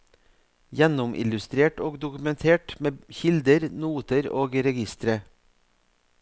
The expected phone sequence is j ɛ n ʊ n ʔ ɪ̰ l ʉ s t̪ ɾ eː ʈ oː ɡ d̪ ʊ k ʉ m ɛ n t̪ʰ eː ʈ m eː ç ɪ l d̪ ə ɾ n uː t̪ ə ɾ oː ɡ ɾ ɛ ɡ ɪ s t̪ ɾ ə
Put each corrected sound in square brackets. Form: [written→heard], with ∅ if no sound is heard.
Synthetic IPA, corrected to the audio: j ɛ n ʊ [n→m] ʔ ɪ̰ l ʉ s t̪ ɾ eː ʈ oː ɡ d̪ ʊ k ʉ m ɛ n t̪ʰ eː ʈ m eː ç ɪ l d̪ ə ɾ n uː t̪ ə ɾ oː ɡ ɾ ɛ ɡ ɪ s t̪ ɾ ə